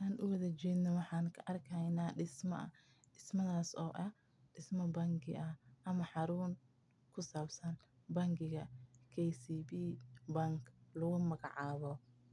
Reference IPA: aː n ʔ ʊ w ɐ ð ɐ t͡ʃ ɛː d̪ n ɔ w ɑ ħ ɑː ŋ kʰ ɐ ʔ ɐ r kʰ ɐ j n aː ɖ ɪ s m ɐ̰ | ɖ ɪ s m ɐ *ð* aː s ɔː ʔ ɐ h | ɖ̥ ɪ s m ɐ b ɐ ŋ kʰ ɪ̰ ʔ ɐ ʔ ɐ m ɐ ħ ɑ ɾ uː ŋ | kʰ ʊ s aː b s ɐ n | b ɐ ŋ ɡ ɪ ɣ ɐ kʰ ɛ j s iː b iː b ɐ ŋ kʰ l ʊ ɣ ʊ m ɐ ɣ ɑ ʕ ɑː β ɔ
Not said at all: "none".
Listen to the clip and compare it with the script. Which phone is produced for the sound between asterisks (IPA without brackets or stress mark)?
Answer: ð